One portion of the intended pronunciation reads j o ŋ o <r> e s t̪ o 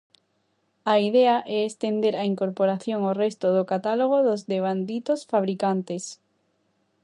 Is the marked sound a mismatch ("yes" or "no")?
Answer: no